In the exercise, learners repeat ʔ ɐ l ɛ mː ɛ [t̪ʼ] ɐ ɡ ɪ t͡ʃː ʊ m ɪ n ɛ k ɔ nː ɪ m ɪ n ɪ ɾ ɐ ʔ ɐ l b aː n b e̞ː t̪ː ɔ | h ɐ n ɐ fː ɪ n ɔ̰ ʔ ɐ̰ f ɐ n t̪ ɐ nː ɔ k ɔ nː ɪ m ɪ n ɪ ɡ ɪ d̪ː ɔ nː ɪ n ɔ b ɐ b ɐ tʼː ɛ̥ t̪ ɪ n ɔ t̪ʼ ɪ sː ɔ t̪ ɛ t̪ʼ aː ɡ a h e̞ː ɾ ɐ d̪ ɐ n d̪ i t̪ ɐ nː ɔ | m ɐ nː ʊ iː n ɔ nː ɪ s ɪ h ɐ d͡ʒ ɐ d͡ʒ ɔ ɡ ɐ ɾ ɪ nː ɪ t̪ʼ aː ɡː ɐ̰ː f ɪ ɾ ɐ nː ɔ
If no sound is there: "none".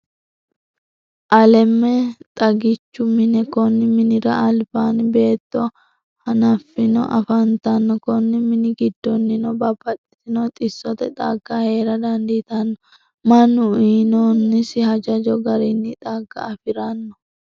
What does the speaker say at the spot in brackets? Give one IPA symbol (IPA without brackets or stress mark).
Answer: t̪ʼ